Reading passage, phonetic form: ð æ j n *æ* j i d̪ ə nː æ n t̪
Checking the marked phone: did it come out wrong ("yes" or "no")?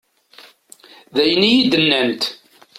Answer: yes